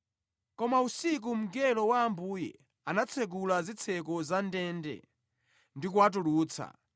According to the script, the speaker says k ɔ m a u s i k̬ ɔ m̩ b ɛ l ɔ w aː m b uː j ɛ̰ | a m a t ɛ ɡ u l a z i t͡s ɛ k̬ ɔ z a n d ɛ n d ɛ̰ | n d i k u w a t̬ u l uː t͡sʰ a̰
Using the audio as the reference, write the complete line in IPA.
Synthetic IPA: k ɔ m a u s i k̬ u m̩ ɡ ɛ l ɔ w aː m b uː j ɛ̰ | a n a t͡sʰ ɛ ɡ u l a z i t͡sʰ ɛ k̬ ɔ z a n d ɛ n d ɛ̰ | n d i k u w a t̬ u l uː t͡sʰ a̰